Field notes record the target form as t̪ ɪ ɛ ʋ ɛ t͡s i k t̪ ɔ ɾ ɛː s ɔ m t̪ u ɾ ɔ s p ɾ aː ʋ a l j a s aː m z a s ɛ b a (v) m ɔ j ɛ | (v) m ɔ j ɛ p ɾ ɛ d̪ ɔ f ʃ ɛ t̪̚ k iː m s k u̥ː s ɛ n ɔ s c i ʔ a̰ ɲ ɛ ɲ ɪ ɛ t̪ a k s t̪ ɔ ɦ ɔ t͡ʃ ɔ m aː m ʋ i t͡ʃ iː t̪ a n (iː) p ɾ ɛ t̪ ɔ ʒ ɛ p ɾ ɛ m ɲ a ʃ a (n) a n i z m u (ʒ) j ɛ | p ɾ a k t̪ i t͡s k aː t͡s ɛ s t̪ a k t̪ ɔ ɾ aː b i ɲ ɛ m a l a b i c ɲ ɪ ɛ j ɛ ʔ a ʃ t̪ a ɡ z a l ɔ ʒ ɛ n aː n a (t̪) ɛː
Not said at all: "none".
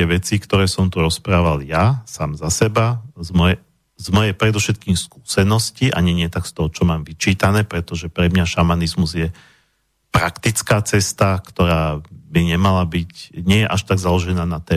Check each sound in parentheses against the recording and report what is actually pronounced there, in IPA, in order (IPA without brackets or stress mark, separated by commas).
z, z, ɛː, m, z, t̪